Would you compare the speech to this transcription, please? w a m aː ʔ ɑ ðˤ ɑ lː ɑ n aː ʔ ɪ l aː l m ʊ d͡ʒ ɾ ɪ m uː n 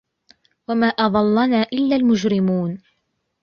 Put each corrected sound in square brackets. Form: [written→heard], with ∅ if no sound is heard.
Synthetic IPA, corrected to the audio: w a m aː ʔ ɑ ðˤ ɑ lː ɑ n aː ʔ ɪ [l→lː] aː l m ʊ d͡ʒ ɾ ɪ m uː n